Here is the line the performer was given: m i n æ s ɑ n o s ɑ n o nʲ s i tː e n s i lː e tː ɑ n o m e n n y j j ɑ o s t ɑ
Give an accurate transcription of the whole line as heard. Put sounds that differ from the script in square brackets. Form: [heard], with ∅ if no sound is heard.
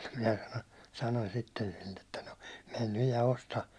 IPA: m i n æ s ɑ n o s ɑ n o nʲ s i tː e n s i lː e tː ɑ n o m e n n y j j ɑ o s t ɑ